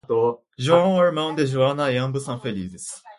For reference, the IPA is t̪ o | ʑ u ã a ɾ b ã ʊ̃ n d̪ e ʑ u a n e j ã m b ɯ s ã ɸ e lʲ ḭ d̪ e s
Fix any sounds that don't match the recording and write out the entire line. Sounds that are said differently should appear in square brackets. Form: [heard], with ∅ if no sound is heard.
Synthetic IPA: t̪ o | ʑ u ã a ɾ [m] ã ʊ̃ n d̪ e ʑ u a n [a] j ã m b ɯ s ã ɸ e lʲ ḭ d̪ e s